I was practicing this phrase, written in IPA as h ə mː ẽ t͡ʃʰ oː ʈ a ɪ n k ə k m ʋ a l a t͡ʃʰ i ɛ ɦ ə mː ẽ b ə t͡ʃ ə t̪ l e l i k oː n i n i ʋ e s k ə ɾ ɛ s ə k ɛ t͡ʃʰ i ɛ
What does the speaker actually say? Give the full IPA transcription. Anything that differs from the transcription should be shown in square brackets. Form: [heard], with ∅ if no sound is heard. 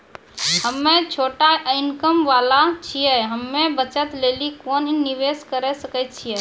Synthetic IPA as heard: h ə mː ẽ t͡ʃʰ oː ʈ a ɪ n k ə [∅] m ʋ a l a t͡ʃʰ i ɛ ɦ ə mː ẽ b ə t͡ʃ ə t̪ l e l i k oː n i n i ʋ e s k ə ɾ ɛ s ə k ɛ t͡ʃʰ i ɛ